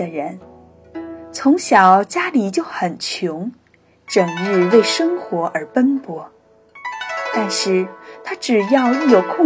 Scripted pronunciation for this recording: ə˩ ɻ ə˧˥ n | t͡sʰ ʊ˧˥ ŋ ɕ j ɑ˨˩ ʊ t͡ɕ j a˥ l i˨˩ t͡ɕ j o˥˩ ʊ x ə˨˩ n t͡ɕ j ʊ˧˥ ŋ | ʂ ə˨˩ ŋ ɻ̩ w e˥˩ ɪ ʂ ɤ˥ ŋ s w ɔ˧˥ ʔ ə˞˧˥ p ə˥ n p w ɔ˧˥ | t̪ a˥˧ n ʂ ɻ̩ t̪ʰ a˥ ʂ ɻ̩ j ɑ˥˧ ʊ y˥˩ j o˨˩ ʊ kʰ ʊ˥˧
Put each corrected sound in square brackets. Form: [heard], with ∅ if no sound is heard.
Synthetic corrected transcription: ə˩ ɻ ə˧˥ n | t͡sʰ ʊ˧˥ ŋ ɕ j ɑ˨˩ ʊ t͡ɕ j a˥ l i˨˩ t͡ɕ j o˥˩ ʊ x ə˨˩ n [t͡ɕʰ] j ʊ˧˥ ŋ | [ʈ͡ʂ] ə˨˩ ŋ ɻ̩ w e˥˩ ɪ ʂ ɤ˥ ŋ [x] w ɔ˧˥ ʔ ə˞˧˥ p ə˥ n p w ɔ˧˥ | t̪ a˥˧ n ʂ ɻ̩ t̪ʰ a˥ [ʈ͡ʂ] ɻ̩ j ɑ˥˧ ʊ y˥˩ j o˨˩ ʊ kʰ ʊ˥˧